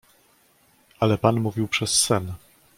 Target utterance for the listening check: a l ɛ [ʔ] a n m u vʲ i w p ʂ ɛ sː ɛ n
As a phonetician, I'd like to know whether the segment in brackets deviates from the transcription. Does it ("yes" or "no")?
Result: yes